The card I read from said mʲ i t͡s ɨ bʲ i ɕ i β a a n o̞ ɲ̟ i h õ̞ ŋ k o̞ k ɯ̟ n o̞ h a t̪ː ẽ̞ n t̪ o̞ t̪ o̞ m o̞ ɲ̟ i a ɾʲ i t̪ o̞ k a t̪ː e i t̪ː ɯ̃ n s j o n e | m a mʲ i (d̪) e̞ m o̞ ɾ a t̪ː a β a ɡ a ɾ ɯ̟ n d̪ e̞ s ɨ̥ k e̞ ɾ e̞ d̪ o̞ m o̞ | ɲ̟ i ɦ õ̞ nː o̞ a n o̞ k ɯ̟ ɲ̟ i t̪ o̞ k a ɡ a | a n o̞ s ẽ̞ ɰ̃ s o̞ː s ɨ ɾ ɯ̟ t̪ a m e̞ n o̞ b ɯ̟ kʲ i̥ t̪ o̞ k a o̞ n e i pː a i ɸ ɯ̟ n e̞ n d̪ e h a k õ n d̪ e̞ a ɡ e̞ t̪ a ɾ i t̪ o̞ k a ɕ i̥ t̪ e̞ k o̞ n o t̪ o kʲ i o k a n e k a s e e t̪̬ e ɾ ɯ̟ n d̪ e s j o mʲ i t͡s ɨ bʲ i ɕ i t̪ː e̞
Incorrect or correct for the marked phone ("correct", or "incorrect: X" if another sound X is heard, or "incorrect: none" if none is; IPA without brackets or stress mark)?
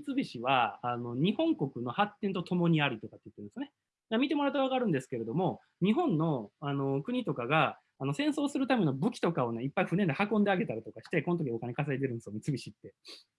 incorrect: t̪